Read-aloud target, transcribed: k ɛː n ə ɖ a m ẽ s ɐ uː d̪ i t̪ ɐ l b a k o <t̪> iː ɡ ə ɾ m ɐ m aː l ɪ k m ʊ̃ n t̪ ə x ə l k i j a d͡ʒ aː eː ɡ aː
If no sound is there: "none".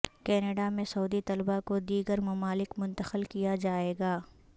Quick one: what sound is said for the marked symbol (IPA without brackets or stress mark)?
d̪